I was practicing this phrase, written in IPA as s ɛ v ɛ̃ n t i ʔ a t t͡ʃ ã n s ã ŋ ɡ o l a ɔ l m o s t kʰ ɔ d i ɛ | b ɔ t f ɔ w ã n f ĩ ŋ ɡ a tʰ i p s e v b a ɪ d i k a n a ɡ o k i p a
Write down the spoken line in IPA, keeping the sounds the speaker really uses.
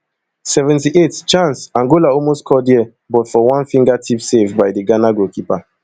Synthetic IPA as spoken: s ɛ v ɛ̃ n t i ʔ e t t͡ʃ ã n s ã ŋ ɡ o l a ɔ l m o s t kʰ ɔ d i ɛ | b ɔ t f ɔ w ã n f ĩ ŋ ɡ a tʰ i p s e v b a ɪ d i ɡ a n a ɡ o k i p a